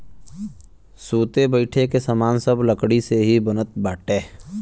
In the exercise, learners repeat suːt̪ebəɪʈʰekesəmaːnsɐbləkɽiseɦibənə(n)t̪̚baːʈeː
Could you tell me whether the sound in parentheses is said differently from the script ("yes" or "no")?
yes